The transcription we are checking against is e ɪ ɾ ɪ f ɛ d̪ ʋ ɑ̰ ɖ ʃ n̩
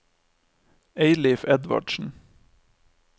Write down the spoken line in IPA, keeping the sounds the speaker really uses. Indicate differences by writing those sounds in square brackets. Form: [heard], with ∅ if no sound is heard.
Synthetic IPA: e ɪ [l] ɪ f ɛ d̪ ʋ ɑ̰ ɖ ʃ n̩